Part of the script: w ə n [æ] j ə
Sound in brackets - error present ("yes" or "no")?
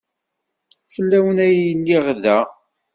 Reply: no